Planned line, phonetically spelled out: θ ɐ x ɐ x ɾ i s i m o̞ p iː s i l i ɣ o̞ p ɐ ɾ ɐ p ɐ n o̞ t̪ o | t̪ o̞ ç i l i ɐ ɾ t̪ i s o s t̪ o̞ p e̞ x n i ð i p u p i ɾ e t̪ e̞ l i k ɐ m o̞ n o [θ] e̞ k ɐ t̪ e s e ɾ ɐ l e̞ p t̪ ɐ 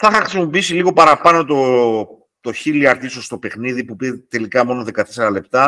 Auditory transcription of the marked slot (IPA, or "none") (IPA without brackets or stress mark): ð